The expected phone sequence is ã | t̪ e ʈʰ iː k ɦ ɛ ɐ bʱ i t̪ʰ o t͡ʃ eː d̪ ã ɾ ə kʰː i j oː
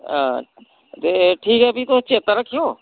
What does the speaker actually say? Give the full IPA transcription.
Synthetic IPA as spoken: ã | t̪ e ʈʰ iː k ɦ ɛ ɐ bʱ i t̪ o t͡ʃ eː t̪ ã ɾ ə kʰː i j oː